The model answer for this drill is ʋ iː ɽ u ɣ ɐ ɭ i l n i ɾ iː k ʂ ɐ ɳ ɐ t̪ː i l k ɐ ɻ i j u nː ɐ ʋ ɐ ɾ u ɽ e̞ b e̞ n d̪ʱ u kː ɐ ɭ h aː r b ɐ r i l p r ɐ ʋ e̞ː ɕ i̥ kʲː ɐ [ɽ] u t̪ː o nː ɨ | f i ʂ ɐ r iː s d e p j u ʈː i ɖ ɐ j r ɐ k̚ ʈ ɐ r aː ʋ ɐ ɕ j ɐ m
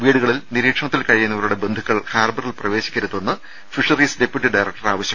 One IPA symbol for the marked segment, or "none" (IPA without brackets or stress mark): ɾ